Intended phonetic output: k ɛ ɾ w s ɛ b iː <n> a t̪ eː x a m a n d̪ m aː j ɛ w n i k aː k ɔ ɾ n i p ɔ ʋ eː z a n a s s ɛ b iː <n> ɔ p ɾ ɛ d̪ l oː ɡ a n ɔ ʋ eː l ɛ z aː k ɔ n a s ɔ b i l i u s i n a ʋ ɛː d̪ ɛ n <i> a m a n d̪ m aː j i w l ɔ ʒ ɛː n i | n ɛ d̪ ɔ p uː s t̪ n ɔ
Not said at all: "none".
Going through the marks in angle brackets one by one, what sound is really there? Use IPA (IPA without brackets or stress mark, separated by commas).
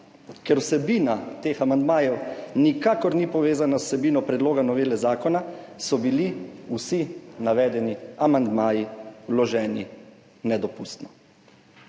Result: n, n, i